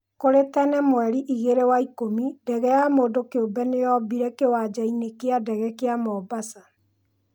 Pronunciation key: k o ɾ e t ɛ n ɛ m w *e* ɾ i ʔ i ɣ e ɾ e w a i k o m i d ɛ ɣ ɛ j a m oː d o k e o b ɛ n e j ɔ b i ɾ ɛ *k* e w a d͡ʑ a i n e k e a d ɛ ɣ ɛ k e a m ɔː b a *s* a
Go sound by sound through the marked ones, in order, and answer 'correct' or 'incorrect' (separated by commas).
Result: incorrect, correct, correct